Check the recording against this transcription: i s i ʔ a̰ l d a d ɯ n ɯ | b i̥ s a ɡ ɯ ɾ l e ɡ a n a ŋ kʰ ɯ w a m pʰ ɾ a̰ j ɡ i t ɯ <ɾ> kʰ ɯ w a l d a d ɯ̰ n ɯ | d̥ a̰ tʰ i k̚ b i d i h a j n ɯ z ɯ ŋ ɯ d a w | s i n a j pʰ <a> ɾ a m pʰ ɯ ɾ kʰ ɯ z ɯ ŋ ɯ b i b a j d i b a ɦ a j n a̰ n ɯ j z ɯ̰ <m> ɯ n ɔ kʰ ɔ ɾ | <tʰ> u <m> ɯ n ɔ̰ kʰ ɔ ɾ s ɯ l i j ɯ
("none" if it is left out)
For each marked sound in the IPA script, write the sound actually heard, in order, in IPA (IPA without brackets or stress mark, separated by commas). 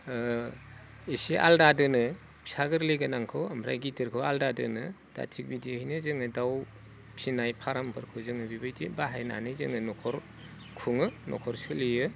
ɾ, a, ŋ, kʰ, ŋ